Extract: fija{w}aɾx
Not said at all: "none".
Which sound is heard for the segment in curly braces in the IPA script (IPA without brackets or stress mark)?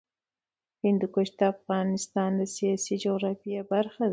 b